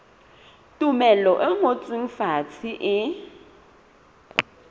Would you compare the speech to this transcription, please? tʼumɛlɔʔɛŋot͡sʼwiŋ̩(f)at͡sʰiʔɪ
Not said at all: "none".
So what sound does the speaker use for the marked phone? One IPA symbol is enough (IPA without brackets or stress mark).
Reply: f